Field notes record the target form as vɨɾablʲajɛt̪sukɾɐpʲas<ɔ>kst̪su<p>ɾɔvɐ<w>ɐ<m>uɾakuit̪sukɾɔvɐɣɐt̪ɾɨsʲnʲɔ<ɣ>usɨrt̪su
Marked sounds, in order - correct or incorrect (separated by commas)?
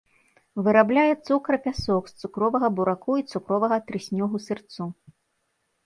correct, incorrect, incorrect, incorrect, correct